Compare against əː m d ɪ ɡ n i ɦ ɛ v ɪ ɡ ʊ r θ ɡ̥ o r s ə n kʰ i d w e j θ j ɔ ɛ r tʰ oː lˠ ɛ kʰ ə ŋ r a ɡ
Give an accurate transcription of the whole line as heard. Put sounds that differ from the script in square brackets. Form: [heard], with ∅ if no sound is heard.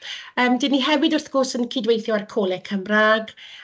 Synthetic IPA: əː m d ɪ [∅] n i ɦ ɛ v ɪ [d] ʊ r θ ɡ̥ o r s ə n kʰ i d w e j θ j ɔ [a] r [kʰ] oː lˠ ɛ kʰ ə [m] r a ɡ